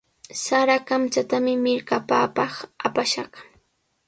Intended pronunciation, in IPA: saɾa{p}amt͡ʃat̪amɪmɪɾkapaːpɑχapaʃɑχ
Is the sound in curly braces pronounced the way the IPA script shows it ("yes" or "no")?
no